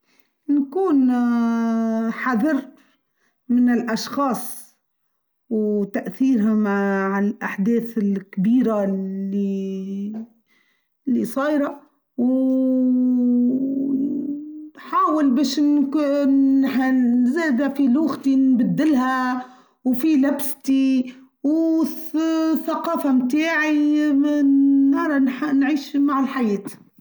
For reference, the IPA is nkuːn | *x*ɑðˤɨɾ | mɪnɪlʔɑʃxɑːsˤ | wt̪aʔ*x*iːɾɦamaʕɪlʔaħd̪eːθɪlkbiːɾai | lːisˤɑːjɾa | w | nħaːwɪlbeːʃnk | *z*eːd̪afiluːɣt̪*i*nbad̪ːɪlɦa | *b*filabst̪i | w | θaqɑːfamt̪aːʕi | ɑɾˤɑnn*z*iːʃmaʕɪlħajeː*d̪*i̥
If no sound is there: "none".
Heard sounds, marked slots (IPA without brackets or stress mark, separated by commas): ħ, θ, z, i, w, ʕ, t̪